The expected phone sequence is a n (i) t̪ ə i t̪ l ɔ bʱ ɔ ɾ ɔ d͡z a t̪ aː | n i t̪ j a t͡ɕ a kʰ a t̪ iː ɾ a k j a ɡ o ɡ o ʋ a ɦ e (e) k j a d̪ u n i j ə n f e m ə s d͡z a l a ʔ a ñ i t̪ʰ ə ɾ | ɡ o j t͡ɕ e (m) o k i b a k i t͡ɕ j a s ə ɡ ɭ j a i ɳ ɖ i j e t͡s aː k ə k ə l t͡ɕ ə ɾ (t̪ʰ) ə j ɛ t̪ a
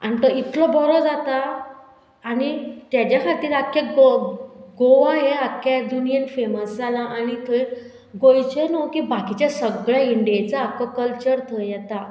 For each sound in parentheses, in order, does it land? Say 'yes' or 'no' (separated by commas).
yes, no, no, yes